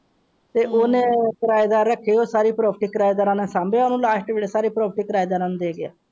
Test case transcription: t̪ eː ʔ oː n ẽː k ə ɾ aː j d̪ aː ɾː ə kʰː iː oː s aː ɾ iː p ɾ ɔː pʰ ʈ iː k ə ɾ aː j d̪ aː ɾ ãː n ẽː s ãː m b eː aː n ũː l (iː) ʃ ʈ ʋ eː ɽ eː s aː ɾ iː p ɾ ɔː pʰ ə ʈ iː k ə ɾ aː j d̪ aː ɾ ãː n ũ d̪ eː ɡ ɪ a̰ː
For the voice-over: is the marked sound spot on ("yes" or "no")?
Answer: no